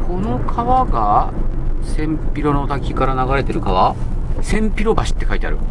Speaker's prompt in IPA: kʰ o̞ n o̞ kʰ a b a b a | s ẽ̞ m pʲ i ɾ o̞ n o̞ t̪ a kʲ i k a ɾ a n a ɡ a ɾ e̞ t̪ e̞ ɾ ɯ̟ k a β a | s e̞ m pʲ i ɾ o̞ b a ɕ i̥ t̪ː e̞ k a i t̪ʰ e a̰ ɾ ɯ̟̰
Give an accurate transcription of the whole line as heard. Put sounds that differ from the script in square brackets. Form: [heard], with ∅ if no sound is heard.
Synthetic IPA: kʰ o̞ n o̞ kʰ a [β] a [ɡ] a | s ẽ̞ m pʲ i ɾ o̞ n o̞ t̪ a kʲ i k a ɾ a n a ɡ a ɾ e̞ t̪ e̞ ɾ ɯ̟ k a β a | s [ẽ̞] m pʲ i ɾ o̞ b a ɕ i̥ t̪ː e̞ k a i [t̪] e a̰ ɾ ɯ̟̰